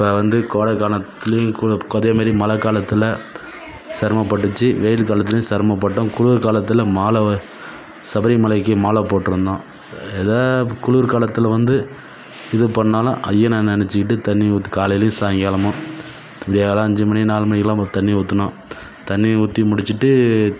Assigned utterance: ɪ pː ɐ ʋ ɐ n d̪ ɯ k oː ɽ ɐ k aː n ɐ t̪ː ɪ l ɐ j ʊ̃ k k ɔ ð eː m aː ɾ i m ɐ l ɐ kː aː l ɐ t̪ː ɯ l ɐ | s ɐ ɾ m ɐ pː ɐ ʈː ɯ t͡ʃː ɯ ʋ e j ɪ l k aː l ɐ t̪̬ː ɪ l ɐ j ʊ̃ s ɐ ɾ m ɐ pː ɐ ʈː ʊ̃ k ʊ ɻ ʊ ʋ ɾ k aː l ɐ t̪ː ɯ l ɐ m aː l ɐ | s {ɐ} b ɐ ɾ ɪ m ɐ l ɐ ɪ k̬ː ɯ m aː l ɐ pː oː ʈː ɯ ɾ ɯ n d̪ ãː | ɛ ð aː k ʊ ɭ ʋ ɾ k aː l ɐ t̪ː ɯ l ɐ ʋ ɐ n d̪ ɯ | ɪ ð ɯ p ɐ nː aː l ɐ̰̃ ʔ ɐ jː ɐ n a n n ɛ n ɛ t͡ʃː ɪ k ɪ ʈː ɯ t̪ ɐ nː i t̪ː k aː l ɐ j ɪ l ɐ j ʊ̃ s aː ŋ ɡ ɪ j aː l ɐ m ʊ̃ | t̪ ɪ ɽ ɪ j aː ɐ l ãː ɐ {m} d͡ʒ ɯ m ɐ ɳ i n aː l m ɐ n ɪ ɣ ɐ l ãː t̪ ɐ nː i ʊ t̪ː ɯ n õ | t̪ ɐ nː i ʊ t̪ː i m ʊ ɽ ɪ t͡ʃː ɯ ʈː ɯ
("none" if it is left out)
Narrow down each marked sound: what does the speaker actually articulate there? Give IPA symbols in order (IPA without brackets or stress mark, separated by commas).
ɐ, ɲ